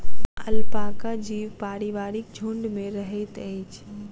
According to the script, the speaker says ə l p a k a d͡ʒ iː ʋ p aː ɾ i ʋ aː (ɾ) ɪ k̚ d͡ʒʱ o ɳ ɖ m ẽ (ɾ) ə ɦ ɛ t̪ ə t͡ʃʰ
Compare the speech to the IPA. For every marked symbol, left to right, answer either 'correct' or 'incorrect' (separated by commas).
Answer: correct, correct